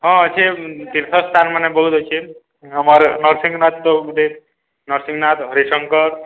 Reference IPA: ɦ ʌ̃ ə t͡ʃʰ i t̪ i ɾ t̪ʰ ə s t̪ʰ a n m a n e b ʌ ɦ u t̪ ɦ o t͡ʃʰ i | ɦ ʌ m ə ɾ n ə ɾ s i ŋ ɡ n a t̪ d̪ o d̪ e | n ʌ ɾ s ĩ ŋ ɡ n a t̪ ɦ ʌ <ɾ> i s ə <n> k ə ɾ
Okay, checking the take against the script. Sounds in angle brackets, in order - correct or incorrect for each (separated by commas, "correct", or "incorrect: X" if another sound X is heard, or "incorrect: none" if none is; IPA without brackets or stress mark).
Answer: correct, incorrect: ŋ